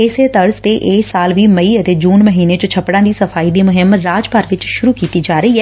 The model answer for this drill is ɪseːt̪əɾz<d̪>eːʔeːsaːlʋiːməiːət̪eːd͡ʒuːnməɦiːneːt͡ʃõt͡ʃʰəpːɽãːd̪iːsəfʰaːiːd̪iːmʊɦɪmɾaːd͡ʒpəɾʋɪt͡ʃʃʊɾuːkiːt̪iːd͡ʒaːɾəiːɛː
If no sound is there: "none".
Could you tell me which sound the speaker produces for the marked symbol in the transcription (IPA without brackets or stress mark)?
t̪